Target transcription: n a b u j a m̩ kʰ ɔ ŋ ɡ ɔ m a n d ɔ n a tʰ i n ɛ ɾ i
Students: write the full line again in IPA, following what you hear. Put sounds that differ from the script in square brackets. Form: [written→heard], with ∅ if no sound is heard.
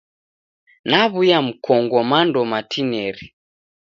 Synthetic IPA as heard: n a [b→β] u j a m̩ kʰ ɔ ŋ ɡ ɔ m a n d ɔ [n→m] a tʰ i n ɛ ɾ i